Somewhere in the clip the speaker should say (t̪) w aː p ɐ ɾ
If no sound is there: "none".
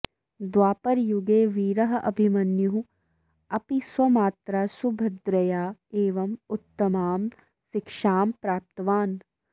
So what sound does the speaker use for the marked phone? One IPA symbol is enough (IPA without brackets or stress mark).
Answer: d̪